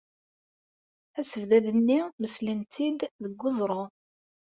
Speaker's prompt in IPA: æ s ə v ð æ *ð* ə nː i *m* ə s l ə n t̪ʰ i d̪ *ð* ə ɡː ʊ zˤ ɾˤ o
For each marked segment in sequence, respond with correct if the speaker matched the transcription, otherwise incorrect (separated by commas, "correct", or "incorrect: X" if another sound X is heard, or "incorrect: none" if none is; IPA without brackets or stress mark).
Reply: correct, correct, correct